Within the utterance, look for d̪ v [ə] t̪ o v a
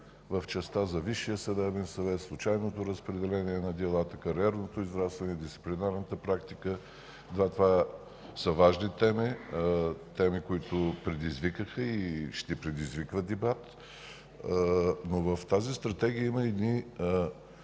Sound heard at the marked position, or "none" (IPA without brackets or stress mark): a